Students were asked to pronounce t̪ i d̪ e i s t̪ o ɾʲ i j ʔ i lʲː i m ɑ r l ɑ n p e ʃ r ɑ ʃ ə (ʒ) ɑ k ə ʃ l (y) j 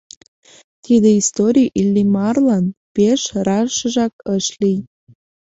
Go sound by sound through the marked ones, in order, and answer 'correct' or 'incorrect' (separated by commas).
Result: correct, incorrect